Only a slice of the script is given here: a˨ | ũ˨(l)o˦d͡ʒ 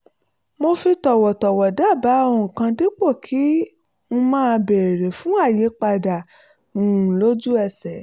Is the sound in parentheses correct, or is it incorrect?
correct